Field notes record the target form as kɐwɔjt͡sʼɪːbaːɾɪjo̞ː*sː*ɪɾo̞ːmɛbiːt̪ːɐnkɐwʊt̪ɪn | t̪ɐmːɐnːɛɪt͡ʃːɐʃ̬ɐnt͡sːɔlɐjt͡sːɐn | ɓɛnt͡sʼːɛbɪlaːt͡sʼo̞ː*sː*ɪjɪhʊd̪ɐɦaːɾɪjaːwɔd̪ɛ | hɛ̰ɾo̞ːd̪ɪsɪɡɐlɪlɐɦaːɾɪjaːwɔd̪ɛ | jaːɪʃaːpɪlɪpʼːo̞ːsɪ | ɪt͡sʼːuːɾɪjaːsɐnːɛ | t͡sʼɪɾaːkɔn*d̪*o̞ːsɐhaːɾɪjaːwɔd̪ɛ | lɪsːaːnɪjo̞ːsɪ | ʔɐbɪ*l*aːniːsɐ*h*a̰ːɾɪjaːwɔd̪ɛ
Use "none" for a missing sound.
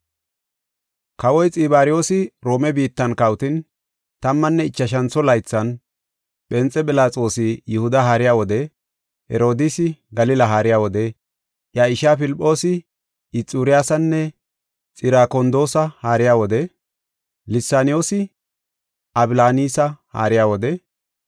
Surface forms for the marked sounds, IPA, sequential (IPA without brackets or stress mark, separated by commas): s, s, d̪, l, h